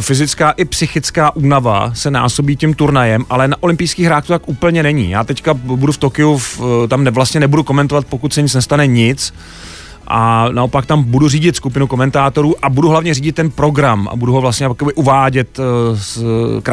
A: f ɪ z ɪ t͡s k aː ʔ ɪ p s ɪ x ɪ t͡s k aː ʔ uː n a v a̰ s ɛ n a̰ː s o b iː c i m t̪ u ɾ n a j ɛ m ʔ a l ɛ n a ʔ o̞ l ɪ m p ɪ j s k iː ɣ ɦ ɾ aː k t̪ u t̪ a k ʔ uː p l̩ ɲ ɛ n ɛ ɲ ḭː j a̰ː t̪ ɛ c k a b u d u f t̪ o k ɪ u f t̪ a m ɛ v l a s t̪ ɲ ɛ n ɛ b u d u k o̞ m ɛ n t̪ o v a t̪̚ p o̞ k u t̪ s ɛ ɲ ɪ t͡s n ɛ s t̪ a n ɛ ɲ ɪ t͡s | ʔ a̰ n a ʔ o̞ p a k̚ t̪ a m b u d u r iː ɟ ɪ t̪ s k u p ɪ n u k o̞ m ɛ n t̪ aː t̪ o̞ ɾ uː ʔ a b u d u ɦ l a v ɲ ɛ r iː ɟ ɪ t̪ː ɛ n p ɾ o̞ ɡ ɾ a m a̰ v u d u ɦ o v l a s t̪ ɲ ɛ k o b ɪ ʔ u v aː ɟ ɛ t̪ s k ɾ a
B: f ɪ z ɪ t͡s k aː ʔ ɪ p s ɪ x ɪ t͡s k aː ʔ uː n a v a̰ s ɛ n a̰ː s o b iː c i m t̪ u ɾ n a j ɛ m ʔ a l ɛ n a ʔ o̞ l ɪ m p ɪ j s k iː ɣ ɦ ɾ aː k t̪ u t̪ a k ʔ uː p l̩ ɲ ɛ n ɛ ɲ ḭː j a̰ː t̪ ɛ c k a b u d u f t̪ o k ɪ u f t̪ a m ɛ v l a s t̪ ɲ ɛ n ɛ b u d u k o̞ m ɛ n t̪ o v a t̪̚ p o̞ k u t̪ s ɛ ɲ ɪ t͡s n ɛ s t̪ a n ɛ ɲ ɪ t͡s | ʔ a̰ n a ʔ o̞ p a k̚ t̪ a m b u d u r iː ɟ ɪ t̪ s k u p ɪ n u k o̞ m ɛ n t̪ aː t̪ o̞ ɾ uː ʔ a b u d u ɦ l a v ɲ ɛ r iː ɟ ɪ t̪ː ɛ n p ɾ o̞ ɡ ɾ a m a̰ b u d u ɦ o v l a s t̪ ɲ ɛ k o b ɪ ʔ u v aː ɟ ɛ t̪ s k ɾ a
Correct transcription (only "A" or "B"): B